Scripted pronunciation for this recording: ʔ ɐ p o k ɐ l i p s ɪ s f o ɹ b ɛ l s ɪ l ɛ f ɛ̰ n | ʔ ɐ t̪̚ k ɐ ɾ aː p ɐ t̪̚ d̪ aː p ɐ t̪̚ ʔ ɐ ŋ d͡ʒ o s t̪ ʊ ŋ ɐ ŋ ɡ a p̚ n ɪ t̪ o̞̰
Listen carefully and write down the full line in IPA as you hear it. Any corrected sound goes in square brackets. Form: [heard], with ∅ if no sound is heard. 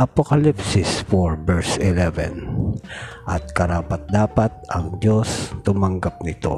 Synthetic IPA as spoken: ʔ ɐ p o k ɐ l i p s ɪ s f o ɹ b ɛ [ɹ] s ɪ l ɛ [v] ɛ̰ n | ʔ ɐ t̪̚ k ɐ ɾ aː p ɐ t̪̚ d̪ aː p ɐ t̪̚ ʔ ɐ ŋ d͡ʒ o s t̪ ʊ [m] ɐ ŋ ɡ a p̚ n ɪ t̪ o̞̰